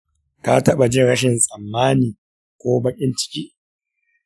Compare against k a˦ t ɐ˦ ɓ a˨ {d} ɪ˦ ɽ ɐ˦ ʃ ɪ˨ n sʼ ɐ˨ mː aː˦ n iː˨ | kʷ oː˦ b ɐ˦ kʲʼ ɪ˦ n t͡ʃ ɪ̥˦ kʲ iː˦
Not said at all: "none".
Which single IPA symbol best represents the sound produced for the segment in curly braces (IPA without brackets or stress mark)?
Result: d͡ʒ